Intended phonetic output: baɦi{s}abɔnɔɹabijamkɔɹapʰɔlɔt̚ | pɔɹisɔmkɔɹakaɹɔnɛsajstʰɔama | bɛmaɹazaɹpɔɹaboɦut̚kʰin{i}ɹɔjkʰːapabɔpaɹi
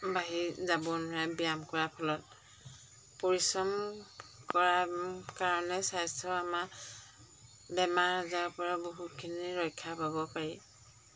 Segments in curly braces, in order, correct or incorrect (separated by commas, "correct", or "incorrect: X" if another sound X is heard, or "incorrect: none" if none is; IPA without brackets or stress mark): incorrect: z, correct